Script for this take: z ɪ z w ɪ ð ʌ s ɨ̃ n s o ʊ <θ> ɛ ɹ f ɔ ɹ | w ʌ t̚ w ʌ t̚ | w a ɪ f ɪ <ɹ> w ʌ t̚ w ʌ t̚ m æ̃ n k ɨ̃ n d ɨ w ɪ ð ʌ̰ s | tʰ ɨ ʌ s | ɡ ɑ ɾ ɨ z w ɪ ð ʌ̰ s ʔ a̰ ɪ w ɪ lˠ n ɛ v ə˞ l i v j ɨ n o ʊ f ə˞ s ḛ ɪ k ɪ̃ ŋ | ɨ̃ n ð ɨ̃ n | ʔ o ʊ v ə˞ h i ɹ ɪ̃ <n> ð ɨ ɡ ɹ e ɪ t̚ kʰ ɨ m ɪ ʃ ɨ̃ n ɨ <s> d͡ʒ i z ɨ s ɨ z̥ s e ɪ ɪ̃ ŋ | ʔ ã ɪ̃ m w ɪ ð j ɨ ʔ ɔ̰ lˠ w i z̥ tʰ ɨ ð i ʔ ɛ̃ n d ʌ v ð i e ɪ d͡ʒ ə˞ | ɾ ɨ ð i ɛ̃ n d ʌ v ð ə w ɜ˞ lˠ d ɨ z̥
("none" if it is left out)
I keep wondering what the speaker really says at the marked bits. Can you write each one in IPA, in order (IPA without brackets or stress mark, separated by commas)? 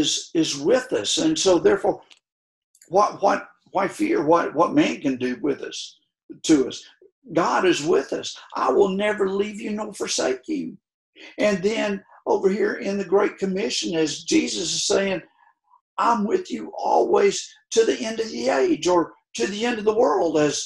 ð, ɹ, n, z